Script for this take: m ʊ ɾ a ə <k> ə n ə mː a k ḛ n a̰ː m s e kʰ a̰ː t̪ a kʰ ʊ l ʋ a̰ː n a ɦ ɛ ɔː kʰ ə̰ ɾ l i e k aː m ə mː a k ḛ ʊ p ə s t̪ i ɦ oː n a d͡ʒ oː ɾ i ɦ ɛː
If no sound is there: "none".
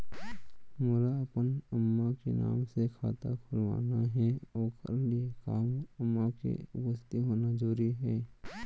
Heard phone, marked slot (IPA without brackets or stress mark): p